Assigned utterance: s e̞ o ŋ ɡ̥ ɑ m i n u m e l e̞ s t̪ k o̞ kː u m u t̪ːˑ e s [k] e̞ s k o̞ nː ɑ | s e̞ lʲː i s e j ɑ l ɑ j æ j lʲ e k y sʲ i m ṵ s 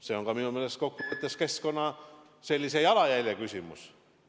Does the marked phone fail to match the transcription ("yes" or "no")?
no